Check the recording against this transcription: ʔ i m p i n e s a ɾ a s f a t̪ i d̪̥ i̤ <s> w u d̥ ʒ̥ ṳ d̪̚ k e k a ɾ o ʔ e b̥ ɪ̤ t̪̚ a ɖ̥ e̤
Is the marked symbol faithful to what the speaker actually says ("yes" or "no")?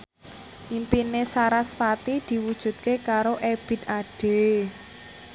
no